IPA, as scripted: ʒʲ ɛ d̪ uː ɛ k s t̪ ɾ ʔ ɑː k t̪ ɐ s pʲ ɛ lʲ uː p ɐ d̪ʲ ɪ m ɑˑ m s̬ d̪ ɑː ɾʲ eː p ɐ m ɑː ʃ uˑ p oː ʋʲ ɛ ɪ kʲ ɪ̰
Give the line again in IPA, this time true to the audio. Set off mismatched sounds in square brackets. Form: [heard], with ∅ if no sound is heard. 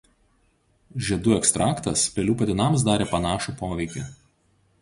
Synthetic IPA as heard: ʒʲ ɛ d̪ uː ɛ k s t̪ ɾ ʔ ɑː k t̪ ɐ s pʲ ɛ lʲ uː p ɐ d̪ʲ ɪ [n] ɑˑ m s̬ d̪ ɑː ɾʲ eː p ɐ [n] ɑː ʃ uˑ p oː ʋʲ ɛ ɪ kʲ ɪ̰